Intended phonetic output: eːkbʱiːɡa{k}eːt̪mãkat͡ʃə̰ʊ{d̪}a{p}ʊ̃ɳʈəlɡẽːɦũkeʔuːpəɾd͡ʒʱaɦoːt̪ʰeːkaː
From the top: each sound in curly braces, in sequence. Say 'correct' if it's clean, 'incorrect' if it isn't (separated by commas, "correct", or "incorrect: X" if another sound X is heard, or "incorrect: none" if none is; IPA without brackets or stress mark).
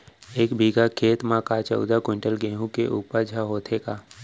incorrect: kʰ, correct, incorrect: k